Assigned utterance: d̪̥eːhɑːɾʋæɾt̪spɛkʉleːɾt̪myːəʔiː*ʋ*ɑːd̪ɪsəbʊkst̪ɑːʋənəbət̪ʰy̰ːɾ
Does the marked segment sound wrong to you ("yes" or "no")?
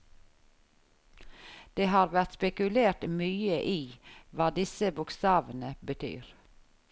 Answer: no